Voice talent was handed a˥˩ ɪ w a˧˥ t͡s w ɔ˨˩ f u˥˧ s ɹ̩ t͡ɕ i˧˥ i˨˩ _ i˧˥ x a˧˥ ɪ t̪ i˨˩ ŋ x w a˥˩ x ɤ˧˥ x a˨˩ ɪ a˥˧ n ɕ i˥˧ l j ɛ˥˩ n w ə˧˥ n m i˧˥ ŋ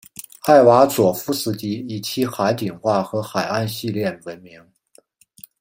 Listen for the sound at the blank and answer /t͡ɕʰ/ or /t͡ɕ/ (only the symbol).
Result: t͡ɕʰ